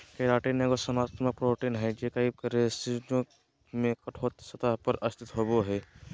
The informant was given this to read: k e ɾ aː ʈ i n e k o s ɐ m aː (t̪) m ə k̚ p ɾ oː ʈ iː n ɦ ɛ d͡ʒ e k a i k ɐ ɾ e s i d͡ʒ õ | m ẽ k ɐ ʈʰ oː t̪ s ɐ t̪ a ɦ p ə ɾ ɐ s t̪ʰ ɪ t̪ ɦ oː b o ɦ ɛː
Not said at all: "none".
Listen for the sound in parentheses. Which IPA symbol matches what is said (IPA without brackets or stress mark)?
t̪